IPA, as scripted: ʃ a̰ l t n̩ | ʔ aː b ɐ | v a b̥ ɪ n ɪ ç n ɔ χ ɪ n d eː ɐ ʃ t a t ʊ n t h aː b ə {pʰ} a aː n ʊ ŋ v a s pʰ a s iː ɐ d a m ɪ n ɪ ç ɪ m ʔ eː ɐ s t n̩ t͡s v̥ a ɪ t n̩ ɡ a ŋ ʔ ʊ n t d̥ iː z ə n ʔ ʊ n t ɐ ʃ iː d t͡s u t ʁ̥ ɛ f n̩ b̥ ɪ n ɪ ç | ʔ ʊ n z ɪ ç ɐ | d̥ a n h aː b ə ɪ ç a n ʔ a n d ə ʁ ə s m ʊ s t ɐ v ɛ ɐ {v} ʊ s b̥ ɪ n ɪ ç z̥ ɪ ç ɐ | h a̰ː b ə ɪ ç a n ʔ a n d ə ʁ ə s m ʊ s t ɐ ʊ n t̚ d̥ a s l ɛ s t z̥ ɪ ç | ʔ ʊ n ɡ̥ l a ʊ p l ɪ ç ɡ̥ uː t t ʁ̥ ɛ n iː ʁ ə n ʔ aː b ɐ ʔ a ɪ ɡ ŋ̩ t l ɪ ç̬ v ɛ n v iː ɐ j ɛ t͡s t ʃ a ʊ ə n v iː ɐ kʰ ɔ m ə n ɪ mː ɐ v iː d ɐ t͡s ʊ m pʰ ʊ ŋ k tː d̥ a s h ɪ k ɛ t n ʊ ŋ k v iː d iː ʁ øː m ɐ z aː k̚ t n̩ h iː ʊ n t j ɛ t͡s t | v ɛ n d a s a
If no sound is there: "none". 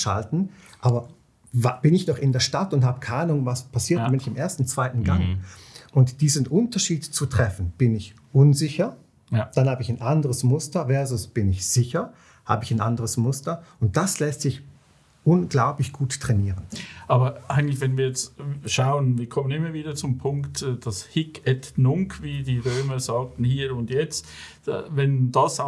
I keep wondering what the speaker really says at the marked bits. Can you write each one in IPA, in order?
kʰ, z

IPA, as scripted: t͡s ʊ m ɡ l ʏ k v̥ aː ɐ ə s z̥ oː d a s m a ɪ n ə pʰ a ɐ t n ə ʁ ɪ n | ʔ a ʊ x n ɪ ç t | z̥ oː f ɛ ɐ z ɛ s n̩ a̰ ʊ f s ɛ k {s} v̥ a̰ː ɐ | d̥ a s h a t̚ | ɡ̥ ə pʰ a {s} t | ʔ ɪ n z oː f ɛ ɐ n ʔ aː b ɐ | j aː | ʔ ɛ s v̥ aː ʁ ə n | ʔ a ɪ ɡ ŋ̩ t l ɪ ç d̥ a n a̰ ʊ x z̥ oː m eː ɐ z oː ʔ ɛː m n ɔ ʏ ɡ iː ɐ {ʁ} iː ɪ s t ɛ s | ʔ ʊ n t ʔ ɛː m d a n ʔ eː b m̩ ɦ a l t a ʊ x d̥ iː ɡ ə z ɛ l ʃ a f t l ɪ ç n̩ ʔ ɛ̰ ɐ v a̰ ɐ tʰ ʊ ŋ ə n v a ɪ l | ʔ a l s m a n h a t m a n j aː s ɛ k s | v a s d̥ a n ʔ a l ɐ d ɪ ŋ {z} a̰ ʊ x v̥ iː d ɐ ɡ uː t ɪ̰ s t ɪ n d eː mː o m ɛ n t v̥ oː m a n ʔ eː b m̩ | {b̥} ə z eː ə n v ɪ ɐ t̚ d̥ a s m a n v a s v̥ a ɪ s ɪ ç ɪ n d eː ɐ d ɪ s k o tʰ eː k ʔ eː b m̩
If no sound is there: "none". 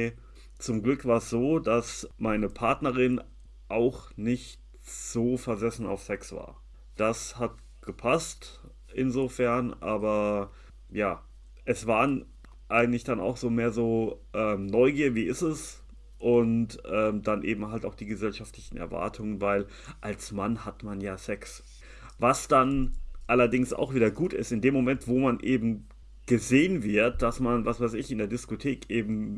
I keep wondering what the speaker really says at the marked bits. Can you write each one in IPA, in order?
s, s, v, s, ɡ̥

